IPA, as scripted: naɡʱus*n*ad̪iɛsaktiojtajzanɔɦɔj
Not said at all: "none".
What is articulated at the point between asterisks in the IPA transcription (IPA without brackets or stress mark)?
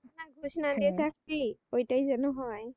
n